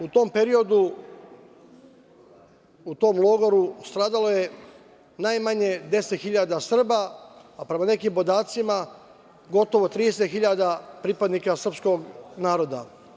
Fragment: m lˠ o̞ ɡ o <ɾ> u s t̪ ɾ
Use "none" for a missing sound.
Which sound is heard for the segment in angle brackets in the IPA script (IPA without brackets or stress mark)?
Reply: ɾ